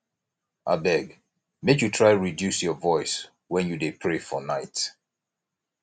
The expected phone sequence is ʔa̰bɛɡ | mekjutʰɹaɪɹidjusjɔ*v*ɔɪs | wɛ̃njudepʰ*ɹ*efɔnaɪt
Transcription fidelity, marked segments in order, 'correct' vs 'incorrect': correct, correct

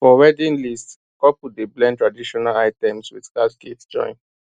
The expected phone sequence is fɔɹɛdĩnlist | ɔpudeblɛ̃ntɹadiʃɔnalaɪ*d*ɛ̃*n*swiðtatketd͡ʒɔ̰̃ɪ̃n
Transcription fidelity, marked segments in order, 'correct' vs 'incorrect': incorrect: t, incorrect: m

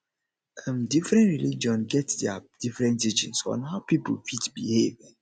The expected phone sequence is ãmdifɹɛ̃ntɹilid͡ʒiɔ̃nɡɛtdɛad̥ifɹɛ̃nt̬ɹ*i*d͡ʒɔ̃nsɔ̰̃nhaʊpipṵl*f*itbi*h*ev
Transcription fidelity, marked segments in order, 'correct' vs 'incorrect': correct, correct, correct

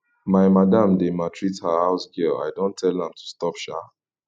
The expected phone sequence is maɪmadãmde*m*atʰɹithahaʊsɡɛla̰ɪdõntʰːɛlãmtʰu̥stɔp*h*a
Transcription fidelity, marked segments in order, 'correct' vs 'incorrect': correct, incorrect: ʃ

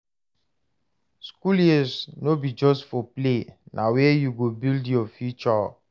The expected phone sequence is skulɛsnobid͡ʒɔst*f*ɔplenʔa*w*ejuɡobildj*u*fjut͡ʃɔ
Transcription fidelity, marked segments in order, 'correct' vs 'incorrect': correct, correct, incorrect: ɔ

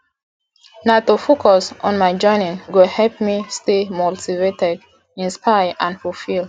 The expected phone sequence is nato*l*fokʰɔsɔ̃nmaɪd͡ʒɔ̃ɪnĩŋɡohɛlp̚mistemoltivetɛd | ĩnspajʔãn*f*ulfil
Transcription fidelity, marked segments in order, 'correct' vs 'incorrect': incorrect: none, correct

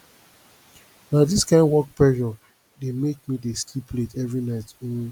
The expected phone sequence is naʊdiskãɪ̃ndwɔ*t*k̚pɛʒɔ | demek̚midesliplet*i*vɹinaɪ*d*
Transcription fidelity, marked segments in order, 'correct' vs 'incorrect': incorrect: none, incorrect: ɛ, incorrect: t

